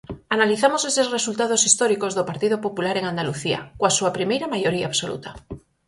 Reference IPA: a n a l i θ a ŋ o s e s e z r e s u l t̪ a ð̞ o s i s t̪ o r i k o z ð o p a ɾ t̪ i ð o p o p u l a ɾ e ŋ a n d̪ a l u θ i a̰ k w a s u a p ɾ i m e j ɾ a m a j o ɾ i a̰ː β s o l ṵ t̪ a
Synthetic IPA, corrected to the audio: a n a l i θ a m o s e s e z r e s u l t̪ a ð̞ o s i s t̪ o ɾ i k o z ð o p a ɾ t̪ i ð o p o p u l a ɾ e ŋ a n d̪ a l u θ i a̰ k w a s u a p ɾ i m e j ɾ a m a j o ɾ i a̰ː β s o l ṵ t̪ a